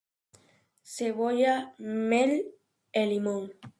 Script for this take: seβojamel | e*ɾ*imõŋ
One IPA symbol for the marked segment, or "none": l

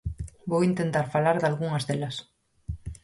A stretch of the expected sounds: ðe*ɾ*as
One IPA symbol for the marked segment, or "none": l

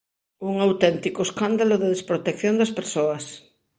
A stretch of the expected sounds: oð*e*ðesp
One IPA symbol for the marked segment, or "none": e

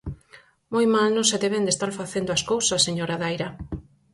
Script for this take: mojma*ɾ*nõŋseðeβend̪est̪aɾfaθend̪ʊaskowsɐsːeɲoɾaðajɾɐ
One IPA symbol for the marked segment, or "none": l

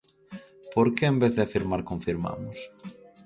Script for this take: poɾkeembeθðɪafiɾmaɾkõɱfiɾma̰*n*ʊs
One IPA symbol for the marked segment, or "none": m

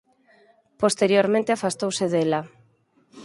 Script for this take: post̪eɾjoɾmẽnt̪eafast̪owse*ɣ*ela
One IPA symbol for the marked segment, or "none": ð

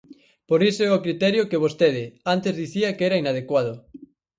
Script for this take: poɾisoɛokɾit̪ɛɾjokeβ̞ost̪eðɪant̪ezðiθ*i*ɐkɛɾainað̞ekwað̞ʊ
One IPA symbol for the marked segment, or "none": i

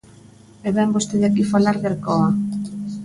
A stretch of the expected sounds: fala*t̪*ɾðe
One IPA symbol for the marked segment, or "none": none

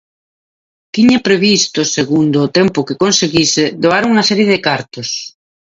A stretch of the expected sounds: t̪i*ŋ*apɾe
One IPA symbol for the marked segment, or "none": ɲ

